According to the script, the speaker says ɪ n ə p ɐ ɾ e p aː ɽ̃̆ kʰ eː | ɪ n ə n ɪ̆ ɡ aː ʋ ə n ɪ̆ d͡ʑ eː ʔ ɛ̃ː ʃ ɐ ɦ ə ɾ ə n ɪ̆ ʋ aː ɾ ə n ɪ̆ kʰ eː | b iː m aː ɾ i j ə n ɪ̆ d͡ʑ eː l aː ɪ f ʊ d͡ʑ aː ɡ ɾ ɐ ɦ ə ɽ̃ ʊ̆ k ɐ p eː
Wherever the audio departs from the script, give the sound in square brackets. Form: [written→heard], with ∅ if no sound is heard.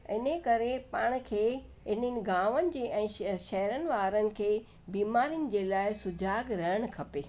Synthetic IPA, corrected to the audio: ɪ n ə [p→k] ɐ ɾ e p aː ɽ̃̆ kʰ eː | ɪ n ə n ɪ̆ ɡ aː ʋ ə n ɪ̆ d͡ʑ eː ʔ ɛ̃ː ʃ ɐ ɦ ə ɾ ə n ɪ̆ ʋ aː ɾ ə n ɪ̆ kʰ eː | b iː m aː ɾ i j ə n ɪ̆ d͡ʑ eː l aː ɪ [f→s] ʊ d͡ʑ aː ɡ ɾ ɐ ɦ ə ɽ̃ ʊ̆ [k→kʰ] ɐ p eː